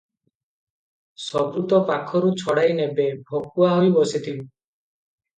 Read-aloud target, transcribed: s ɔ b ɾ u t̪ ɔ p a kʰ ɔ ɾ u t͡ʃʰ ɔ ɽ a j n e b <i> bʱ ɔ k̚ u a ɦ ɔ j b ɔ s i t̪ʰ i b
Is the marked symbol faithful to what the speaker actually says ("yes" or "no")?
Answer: no